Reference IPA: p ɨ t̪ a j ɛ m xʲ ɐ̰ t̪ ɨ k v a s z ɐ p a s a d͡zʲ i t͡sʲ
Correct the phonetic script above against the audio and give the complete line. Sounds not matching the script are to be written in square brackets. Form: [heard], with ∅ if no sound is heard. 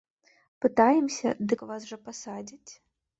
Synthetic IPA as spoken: p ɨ t̪ a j ɛ m [sʲ] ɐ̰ [d̪] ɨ k v a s [ʐ] ɐ p a s a d͡zʲ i t͡sʲ